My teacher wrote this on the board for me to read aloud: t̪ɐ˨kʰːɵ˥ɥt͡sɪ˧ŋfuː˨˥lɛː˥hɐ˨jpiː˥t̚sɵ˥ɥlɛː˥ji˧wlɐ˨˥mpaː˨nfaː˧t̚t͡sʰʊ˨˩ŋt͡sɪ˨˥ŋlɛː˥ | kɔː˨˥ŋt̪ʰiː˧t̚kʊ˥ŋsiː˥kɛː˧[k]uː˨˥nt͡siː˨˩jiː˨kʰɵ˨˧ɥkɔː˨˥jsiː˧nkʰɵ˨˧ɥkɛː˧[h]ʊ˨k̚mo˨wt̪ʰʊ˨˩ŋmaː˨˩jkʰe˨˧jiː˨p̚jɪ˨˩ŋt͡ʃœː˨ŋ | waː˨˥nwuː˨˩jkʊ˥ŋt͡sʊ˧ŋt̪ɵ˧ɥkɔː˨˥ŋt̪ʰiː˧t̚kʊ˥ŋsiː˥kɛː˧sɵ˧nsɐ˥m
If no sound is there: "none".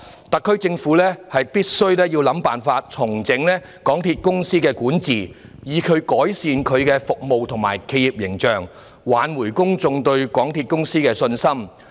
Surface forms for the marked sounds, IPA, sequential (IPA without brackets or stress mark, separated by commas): k, f